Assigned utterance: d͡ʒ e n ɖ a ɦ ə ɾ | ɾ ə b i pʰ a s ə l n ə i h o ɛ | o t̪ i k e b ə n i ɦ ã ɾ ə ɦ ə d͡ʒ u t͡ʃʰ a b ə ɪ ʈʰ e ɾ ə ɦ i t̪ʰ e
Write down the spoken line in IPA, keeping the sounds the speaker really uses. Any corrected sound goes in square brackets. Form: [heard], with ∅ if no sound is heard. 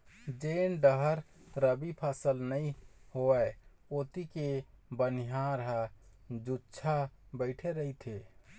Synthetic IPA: d͡ʒ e n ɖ [ə] ɦ ə ɾ | ɾ ə b i pʰ a s ə l n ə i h o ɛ | o t̪ i k e b ə n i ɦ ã ɾ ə ɦ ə d͡ʒ u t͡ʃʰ a b ə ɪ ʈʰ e ɾ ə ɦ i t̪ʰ e